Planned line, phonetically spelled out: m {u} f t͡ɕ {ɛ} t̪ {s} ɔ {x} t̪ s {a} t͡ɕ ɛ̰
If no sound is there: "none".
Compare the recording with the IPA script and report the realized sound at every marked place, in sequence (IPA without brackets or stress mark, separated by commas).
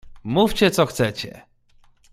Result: u, ɛ, s, x, ɛ